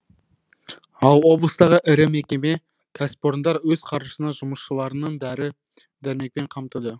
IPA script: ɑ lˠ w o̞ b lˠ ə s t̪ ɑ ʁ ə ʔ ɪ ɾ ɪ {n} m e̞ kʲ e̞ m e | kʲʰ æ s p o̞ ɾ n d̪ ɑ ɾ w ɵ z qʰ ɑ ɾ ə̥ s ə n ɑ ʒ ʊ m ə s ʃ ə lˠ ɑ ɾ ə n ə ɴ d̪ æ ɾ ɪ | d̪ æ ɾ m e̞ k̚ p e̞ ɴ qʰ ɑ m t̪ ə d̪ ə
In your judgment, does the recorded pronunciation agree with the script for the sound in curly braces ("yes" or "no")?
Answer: no